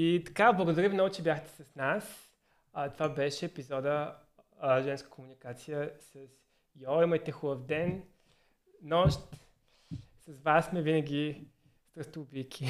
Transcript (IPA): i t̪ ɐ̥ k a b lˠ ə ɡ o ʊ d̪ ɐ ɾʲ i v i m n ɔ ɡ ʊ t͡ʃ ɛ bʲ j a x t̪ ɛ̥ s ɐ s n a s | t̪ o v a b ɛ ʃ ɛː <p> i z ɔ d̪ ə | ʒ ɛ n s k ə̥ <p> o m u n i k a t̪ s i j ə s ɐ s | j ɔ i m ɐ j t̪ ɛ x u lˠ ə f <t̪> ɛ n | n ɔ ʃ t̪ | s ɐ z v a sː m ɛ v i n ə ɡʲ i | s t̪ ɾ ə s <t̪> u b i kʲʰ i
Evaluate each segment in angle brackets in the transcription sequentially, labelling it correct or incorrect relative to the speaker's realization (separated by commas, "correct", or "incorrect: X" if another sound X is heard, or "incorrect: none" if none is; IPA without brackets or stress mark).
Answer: correct, incorrect: k, incorrect: d̪, correct